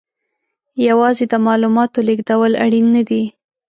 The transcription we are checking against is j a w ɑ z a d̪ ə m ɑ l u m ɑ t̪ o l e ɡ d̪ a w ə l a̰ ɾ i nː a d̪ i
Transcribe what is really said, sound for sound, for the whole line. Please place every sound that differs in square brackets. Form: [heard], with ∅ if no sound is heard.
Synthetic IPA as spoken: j a w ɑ z [e] d̪ ə m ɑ l u m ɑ t̪ o l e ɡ d̪ a w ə l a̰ [ɽ] i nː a d̪ i